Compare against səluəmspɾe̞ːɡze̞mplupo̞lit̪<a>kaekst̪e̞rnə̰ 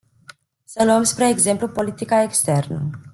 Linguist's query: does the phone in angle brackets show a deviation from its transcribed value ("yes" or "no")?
yes